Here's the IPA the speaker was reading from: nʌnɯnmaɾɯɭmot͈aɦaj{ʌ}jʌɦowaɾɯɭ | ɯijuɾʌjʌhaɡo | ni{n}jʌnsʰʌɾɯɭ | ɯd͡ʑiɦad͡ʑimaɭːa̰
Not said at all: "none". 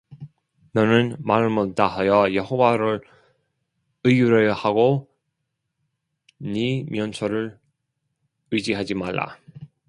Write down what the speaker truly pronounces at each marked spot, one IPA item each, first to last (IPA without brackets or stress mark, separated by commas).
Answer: ʌ, m